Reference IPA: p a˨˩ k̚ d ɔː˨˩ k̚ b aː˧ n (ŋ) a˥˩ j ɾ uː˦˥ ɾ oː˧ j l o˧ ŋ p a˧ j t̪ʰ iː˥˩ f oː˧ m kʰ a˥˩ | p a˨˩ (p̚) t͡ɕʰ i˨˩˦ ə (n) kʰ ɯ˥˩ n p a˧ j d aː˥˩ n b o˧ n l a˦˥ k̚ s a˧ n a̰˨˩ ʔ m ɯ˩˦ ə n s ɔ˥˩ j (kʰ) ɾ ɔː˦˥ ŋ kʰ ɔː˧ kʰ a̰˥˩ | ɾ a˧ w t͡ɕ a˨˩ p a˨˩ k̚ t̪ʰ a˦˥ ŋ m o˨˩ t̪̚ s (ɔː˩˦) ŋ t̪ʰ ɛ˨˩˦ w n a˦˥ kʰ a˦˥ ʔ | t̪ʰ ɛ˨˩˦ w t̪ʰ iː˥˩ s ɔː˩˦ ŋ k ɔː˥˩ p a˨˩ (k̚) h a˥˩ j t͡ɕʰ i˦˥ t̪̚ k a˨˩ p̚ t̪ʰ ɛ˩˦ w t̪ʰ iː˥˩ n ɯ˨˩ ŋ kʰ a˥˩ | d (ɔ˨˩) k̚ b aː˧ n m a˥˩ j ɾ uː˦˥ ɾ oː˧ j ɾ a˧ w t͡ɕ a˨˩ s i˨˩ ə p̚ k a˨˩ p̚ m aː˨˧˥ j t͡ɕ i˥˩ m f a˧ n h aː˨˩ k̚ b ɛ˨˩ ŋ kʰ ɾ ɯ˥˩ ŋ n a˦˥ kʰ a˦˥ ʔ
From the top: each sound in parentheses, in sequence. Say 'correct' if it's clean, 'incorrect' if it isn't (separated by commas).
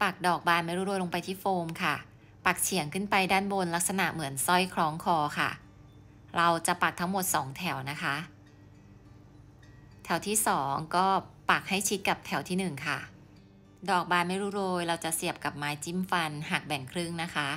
incorrect, incorrect, incorrect, correct, correct, correct, incorrect